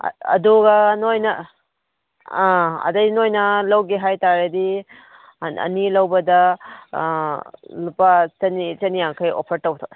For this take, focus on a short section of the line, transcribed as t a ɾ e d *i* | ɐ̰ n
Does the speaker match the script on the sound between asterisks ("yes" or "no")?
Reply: yes